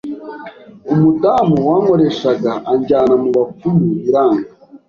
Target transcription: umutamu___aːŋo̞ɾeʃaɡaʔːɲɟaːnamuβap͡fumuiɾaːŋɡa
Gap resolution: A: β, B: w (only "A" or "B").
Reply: B